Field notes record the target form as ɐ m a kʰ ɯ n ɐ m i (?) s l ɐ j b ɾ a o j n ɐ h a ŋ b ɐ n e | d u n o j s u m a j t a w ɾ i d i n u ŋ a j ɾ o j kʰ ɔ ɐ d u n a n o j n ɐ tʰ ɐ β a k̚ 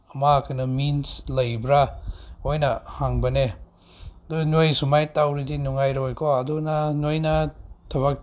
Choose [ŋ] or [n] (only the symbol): n